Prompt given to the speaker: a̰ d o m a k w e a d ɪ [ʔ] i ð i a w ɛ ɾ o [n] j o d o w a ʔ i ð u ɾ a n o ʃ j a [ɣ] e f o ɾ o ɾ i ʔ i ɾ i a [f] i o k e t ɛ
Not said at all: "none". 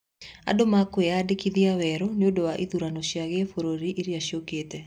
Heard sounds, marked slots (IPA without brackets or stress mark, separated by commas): k, n, ɣ, ʃ